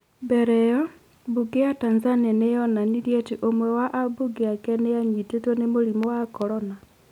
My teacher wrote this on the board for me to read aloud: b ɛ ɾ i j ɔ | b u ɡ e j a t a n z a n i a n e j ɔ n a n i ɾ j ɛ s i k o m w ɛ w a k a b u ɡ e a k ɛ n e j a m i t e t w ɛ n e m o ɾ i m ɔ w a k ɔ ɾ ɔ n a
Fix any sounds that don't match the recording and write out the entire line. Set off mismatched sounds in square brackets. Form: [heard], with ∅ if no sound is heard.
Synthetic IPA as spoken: b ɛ ɾ [ɛ] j ɔ | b u ɡ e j a t a n z a n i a n e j ɔ n a n i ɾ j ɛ [t] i [ʔ] o m w ɛ w a [ʔ] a b u ɡ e a k ɛ n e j a [ɲ] i t e t w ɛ n e m o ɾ i m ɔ w a k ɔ ɾ ɔ n a